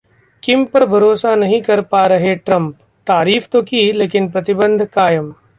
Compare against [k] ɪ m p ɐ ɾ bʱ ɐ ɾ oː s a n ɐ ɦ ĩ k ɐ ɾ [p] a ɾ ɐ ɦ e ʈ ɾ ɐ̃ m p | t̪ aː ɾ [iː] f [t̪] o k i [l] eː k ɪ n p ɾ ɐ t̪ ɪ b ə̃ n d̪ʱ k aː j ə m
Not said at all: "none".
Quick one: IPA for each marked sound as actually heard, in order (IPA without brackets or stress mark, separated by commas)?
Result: k, p, iː, t̪, l